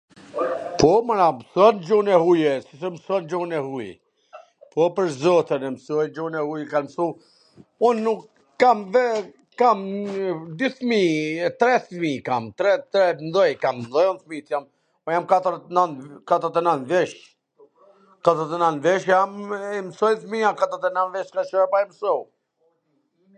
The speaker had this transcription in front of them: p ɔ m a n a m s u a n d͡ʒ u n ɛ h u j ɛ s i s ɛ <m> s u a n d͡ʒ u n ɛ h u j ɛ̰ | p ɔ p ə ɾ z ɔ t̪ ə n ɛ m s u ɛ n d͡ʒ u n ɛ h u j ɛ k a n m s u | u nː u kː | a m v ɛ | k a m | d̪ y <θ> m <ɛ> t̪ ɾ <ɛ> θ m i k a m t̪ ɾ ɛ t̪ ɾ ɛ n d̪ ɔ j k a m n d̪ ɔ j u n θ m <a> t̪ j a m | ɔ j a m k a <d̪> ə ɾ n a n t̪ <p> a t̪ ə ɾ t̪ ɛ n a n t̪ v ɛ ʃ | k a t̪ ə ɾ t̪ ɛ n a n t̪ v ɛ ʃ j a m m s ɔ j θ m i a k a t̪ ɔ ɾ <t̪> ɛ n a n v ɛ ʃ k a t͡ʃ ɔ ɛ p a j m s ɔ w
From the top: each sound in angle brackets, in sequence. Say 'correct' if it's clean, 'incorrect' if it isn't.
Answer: correct, correct, incorrect: i, correct, incorrect: i, incorrect: t̪, incorrect: k, correct

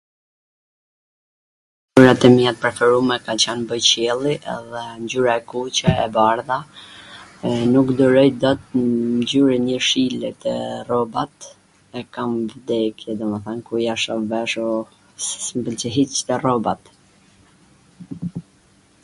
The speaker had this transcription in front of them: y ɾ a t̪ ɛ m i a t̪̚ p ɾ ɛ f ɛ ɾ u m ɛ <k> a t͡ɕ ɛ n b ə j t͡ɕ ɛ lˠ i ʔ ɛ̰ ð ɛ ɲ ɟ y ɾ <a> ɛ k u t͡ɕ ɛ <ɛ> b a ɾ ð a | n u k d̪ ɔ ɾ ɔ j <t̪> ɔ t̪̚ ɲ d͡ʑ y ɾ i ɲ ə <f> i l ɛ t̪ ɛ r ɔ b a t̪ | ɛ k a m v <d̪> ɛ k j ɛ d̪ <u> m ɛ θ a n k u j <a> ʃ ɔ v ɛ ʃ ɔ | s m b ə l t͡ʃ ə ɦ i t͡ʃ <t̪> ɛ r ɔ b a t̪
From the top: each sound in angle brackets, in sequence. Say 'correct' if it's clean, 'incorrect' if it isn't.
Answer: correct, correct, correct, incorrect: d̪, incorrect: ʃ, correct, incorrect: ɔ, correct, correct

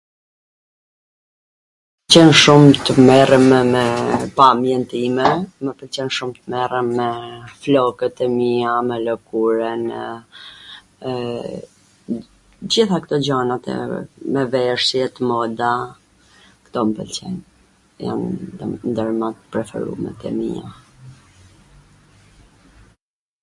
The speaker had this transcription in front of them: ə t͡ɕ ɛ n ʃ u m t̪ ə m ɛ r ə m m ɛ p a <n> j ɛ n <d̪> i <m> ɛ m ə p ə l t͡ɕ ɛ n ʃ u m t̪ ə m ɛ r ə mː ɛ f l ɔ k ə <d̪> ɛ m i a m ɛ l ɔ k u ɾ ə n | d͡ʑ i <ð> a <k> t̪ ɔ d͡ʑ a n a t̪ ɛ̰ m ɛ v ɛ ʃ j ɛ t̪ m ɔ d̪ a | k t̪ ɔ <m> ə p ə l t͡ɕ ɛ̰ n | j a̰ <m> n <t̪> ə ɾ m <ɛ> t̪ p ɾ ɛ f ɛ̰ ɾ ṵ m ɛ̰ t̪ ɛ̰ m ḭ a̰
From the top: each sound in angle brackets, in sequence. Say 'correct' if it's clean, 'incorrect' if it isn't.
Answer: incorrect: m, incorrect: t̪, correct, incorrect: t̪, incorrect: θ, correct, correct, incorrect: n, incorrect: d̪, incorrect: a

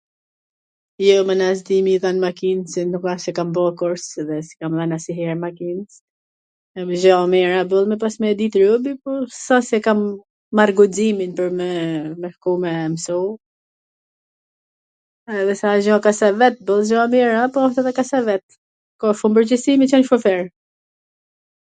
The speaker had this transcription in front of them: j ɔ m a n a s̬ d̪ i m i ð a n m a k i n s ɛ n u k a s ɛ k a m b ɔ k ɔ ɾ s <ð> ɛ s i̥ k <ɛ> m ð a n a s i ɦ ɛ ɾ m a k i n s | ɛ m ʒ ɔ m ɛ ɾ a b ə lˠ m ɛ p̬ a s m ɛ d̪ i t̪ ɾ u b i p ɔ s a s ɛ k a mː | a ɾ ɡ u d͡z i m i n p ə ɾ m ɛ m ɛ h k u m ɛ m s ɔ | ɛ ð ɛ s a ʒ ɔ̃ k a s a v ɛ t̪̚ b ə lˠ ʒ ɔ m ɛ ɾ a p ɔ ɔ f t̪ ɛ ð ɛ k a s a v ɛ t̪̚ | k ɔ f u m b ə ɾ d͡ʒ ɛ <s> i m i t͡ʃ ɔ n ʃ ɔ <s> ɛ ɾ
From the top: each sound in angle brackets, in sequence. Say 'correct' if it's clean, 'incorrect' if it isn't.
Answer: correct, incorrect: a, correct, incorrect: f

